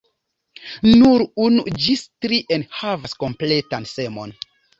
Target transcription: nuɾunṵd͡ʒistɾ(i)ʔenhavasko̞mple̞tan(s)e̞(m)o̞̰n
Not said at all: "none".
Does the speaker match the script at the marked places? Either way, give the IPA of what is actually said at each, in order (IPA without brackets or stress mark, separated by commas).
i, s, m